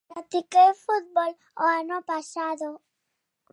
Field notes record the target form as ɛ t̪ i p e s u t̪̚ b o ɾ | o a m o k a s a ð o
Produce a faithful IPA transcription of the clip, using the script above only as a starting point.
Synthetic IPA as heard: a t̪ i k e f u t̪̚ b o l | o a n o p a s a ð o